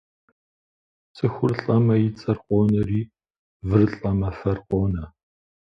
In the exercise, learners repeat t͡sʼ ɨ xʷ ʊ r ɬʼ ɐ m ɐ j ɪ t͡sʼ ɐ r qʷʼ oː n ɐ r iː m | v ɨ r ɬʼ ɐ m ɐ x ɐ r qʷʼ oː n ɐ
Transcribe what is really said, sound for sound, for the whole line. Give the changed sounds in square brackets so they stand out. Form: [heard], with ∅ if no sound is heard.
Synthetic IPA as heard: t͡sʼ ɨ xʷ ʊ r ɬʼ ɐ m ɐ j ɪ t͡sʼ ɐ r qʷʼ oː n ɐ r iː [∅] | v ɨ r ɬʼ ɐ m ɐ [f] ɐ r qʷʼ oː n ɐ